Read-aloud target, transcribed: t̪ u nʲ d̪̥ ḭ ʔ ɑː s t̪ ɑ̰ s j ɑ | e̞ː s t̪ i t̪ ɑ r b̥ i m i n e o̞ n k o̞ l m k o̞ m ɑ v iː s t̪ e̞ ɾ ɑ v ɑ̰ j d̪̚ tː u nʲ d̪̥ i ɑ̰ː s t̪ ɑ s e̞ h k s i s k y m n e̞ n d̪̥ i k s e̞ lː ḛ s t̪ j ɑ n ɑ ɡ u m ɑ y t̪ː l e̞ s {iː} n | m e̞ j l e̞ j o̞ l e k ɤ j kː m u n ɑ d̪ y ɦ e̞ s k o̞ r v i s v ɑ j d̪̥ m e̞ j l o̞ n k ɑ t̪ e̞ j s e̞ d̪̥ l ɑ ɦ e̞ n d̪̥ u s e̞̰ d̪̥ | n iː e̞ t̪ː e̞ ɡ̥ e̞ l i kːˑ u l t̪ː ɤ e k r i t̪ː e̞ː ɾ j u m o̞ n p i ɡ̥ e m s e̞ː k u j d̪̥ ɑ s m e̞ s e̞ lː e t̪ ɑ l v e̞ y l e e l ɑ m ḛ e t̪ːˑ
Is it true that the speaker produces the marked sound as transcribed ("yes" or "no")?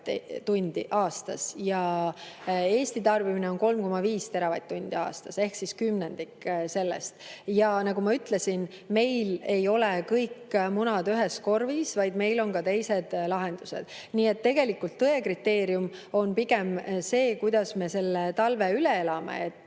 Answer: no